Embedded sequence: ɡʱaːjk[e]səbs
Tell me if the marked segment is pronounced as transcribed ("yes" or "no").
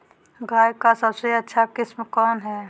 no